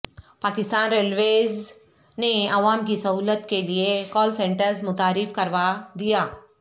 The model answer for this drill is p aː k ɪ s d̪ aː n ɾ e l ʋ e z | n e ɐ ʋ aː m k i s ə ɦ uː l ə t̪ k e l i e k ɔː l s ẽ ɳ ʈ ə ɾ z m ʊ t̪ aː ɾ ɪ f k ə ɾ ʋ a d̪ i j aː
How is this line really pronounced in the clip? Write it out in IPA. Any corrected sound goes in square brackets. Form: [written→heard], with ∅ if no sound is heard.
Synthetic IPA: p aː k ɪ s [d̪→t̪] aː n ɾ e l ʋ e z | n e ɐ ʋ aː m k i s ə ɦ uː l ə t̪ k e l i e k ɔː l s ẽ ɳ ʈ ə ɾ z m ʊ t̪ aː ɾ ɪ f k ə ɾ ʋ a d̪ i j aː